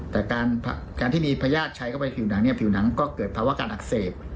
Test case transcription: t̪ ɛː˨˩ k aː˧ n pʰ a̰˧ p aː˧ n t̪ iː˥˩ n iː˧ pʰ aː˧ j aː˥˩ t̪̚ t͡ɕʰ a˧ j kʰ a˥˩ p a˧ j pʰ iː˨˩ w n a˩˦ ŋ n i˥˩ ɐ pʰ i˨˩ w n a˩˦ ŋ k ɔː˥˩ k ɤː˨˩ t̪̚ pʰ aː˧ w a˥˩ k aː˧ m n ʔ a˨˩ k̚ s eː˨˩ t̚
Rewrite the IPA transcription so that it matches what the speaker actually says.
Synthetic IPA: t̪ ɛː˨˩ k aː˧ n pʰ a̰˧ k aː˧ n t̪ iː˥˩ m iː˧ pʰ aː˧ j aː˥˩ t̪̚ t͡ɕʰ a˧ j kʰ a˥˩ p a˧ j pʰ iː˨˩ w n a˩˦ ŋ n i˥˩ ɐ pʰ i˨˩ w n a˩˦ ŋ k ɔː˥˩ k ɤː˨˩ t̪̚ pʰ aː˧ w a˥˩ k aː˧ n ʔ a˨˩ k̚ s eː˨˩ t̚